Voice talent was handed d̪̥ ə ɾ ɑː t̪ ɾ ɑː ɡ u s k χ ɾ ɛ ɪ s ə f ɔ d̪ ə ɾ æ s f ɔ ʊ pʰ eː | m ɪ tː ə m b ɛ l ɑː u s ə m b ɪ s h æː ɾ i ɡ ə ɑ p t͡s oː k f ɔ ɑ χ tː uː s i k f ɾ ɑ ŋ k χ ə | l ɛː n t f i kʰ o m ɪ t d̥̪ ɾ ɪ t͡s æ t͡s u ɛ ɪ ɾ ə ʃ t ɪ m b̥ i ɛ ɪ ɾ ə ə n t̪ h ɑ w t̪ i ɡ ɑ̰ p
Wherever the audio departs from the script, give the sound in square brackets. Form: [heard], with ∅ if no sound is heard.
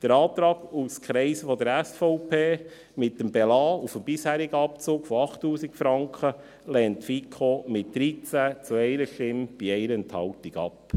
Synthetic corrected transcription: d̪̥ ə ɾ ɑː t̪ ɾ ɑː ɡ u s k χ ɾ ɛ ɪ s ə f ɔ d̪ ə ɾ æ s f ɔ ʊ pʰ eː | m ɪ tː ə m b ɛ l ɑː u [f] ə m b ɪ s h æː ɾ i ɡ ə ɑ p t͡s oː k f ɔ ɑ χ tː uː s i k f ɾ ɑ ŋ k χ ə | l ɛː n t f i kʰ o m ɪ t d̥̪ ɾ [i] t͡s æ t͡s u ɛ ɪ ɾ ə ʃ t ɪ m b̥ i ɛ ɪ ɾ ə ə n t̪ h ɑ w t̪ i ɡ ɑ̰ p